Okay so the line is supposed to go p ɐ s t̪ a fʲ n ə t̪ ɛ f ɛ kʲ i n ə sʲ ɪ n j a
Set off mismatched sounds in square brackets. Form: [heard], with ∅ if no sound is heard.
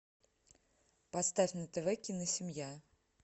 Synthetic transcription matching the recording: p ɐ s t̪ a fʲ n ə t̪ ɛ [v] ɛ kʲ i n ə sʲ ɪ [m] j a